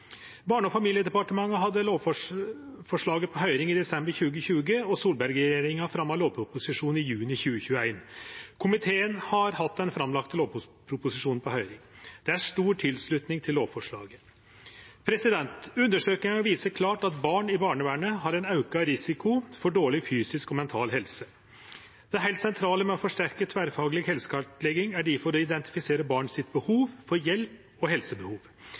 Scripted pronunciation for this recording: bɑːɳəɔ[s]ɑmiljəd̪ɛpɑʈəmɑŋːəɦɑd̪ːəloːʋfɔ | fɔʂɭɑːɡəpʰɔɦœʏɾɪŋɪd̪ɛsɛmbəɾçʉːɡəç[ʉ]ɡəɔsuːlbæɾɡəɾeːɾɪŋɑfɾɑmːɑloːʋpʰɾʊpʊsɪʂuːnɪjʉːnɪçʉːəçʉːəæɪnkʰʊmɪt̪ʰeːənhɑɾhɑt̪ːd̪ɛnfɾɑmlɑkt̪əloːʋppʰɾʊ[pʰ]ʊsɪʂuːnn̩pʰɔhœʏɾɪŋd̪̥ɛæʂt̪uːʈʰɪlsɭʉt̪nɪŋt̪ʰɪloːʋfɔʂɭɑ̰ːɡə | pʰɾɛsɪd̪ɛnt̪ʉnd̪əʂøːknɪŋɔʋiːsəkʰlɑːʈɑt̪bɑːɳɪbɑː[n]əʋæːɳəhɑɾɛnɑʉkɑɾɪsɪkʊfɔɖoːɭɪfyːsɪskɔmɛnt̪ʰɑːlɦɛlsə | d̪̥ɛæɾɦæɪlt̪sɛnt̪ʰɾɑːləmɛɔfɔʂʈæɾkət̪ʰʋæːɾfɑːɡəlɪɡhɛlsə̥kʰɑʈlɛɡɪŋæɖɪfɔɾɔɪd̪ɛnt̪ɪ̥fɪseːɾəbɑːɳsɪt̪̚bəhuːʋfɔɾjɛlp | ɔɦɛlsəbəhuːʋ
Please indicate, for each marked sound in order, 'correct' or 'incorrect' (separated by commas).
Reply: incorrect, incorrect, incorrect, incorrect